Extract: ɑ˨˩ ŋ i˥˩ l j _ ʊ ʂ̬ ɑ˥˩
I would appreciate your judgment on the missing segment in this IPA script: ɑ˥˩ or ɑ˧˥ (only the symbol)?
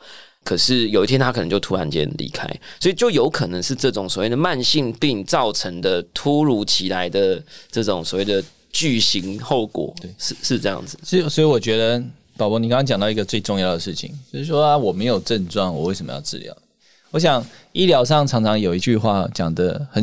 ɑ˧˥